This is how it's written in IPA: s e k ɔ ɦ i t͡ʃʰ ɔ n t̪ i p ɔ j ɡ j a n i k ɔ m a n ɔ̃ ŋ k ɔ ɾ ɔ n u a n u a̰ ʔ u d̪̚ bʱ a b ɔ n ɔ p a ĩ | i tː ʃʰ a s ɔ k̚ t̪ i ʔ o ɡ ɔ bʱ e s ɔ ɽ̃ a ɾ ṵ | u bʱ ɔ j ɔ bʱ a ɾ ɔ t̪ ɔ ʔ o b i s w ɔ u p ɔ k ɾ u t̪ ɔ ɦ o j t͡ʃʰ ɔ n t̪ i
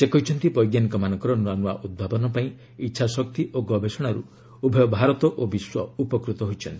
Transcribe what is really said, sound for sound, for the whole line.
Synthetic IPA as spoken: s e k ɔ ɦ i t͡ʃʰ ɔ n t̪ i p ɔ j ɡ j a n i k ɔ m a n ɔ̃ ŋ k ɔ ɾ ɔ n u a n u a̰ ʔ u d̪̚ bʱ a b ɔ n ɔ p a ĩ | i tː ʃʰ a s ɔ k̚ t̪ i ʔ o ɡ ɔ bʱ e s ɔ ɽ̃ a ɾ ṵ | u bʱ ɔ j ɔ bʱ a ɾ ɔ t̪ ɔ ʔ o b i s w ɔ u p ɔ k ɾ u t̪ ɔ ɦ o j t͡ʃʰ ɔ n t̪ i